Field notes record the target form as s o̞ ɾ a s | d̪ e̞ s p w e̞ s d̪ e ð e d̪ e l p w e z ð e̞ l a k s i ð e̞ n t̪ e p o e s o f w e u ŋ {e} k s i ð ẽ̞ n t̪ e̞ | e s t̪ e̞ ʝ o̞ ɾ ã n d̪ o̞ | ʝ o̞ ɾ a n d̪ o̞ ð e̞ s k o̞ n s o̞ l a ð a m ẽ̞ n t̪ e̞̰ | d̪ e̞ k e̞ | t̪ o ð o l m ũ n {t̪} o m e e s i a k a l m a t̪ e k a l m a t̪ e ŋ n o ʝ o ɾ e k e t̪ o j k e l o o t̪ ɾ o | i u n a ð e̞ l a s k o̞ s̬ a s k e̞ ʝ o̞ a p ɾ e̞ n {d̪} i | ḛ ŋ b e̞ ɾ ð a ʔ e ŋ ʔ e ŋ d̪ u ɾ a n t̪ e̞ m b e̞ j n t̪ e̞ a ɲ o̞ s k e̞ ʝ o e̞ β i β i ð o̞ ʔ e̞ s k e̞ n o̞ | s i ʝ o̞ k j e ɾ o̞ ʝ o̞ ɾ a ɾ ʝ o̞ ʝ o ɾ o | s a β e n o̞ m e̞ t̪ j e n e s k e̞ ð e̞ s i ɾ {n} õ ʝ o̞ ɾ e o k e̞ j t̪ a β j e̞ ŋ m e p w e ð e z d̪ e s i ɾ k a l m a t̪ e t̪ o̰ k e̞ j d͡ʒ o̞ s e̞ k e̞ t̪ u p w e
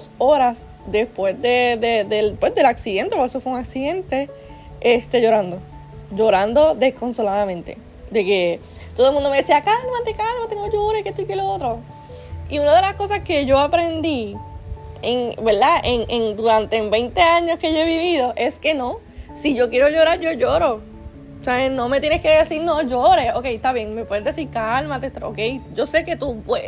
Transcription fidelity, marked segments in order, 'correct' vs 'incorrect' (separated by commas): incorrect, incorrect, correct, correct